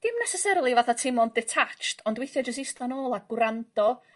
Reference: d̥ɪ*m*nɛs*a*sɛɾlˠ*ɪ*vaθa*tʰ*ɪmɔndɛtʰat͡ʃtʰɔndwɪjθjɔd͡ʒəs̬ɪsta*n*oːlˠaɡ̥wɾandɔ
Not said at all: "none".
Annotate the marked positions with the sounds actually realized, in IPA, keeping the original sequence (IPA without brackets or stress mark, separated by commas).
m, ɛ, i, tʰ, n